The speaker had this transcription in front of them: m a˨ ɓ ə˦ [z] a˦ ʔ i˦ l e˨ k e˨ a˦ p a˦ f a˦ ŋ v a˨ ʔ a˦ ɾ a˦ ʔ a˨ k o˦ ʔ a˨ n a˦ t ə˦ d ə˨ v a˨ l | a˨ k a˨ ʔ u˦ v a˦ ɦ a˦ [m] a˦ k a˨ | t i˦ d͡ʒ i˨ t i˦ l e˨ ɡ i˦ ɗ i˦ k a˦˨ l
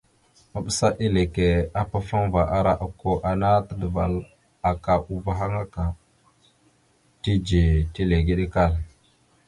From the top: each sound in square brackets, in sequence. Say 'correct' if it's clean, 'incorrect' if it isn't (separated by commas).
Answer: incorrect, incorrect